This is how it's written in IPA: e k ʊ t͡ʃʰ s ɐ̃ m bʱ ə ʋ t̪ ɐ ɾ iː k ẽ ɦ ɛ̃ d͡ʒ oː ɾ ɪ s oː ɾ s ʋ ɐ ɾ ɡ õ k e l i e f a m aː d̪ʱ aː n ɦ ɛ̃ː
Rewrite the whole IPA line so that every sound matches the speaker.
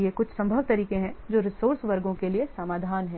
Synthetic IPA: e k ʊ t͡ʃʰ s ɐ̃ m bʱ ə ʋ t̪ ɐ ɾ iː k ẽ ɦ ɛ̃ d͡ʒ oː ɾ ɪ s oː ɾ s ʋ ɐ ɾ ɡ õ k e l i e s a m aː d̪ʱ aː n ɦ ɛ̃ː